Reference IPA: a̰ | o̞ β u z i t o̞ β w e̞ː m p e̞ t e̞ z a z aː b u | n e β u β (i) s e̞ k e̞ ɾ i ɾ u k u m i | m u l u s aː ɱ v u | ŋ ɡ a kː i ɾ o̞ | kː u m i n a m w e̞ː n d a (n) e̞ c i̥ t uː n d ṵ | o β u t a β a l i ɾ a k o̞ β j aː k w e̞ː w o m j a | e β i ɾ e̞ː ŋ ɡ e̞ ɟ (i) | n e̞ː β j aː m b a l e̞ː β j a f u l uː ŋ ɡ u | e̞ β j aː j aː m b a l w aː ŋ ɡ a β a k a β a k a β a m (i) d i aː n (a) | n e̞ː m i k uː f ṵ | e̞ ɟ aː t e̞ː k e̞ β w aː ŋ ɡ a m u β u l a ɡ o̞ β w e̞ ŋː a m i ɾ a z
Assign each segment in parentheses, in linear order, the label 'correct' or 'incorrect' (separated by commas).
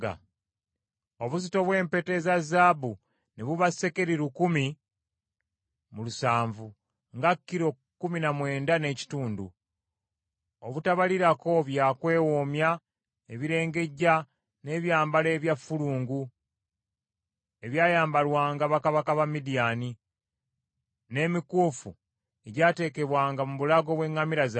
incorrect, correct, incorrect, correct, incorrect